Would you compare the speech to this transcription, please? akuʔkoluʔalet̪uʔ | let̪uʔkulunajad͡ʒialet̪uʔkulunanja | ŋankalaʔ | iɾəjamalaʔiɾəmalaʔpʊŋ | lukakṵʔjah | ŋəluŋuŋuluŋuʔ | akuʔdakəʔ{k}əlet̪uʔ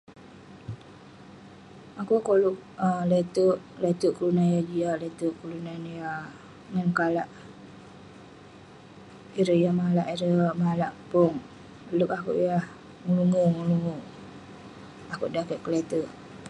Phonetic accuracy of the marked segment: correct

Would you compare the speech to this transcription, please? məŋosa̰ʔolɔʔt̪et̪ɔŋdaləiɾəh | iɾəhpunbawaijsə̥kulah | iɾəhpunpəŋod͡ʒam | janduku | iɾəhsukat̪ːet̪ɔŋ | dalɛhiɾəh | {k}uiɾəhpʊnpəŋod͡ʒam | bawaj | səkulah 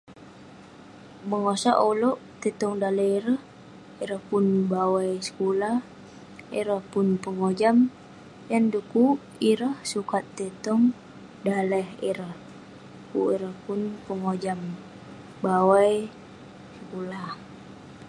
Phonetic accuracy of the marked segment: correct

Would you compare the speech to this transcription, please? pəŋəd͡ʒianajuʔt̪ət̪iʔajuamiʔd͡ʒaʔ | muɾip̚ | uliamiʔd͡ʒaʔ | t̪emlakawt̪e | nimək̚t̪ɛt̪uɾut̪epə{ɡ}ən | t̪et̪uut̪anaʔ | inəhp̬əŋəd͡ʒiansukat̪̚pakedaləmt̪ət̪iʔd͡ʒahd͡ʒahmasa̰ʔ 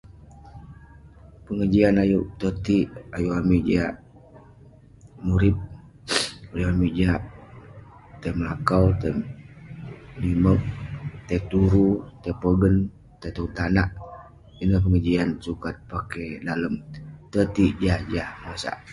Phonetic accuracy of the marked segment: correct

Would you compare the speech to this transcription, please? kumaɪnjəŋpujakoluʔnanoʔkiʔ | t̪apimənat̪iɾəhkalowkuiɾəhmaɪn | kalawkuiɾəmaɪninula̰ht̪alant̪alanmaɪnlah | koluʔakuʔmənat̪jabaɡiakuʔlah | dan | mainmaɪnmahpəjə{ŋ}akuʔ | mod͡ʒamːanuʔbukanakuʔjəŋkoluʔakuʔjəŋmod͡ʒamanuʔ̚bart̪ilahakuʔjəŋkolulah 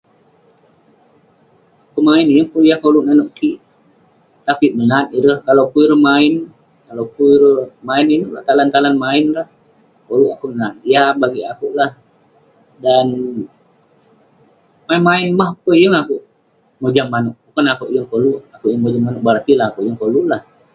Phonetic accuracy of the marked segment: correct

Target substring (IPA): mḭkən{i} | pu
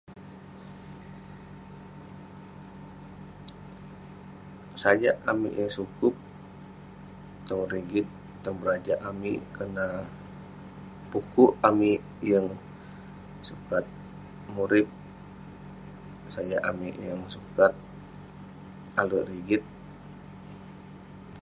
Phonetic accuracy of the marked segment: incorrect: a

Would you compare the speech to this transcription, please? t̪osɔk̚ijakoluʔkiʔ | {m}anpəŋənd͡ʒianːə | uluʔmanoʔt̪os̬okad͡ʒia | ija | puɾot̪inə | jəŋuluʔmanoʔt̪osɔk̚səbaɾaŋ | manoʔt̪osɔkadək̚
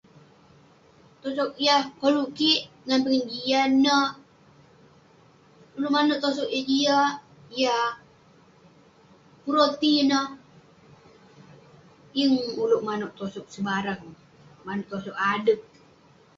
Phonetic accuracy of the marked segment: incorrect: ŋ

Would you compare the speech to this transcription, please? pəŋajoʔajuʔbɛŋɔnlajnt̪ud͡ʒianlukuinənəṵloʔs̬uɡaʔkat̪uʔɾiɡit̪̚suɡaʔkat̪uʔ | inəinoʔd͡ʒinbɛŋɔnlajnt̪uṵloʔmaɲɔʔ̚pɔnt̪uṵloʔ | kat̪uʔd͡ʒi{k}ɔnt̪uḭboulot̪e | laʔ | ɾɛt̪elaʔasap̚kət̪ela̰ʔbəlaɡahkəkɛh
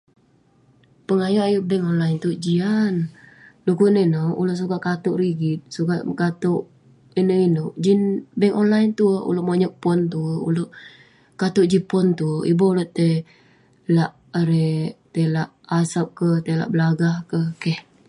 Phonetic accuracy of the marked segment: incorrect: p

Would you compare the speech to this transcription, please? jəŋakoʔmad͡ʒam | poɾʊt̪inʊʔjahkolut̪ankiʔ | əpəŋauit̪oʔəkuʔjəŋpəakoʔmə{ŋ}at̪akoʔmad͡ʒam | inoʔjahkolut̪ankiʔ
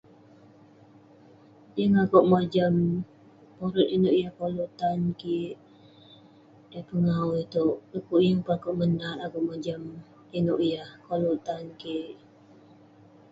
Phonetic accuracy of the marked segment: incorrect: n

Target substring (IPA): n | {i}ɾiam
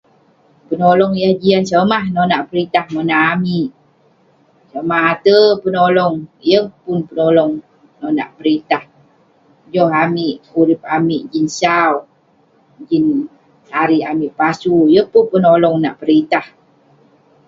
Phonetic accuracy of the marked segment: incorrect: a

